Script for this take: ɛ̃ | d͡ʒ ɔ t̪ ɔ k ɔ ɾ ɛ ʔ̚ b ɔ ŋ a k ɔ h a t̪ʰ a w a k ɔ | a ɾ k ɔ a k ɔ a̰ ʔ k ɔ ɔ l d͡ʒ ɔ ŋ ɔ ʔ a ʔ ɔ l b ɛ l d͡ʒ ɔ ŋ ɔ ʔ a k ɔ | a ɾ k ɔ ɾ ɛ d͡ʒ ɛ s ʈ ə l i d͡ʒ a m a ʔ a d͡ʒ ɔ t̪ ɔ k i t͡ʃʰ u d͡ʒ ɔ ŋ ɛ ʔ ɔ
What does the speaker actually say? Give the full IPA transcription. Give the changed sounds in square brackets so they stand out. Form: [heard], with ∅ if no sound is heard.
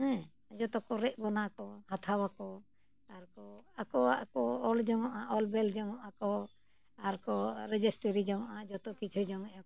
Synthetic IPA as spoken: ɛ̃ | d͡ʒ ɔ t̪ ɔ k ɔ ɾ ɛ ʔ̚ b ɔ [n] a k ɔ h a t̪ʰ a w a k ɔ | a ɾ k ɔ a k ɔ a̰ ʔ k ɔ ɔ l d͡ʒ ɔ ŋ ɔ ʔ a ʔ ɔ l b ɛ l d͡ʒ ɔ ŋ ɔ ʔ a k ɔ | a ɾ k ɔ ɾ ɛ d͡ʒ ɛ s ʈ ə [ɾ] i d͡ʒ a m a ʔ a d͡ʒ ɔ t̪ ɔ k i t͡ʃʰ u d͡ʒ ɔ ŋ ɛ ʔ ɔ